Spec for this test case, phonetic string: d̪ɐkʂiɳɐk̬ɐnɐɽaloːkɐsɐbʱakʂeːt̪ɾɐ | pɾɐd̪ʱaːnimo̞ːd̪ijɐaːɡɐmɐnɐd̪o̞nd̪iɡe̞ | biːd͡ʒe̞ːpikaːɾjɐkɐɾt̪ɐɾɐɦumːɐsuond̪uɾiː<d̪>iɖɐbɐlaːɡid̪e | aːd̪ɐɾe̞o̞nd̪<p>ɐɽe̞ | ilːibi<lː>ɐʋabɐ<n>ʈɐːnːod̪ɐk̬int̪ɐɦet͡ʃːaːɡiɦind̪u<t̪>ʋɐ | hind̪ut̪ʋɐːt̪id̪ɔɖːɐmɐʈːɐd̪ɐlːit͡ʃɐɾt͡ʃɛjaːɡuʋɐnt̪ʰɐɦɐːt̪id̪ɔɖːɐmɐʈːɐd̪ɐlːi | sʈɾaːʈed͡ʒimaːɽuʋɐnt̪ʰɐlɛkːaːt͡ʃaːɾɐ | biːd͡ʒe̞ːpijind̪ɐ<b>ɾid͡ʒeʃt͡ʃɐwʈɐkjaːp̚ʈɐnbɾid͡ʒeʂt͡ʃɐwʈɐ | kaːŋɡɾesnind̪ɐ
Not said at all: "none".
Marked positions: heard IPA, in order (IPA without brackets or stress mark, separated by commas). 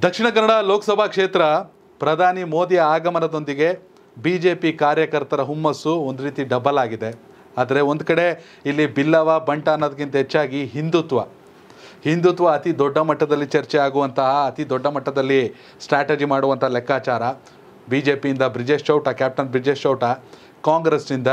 t̪, k, lː, ɳ, t̪, b